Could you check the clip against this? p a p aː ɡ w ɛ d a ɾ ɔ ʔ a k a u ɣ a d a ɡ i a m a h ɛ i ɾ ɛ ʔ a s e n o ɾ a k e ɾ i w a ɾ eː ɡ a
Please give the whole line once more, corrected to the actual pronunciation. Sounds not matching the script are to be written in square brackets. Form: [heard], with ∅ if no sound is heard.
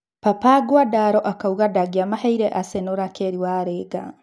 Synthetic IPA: p a p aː ɡ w [a] d a ɾ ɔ ʔ a k a u ɣ a d a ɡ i a m a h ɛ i ɾ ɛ ʔ a s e n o ɾ a k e ɾ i w a ɾ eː ɡ a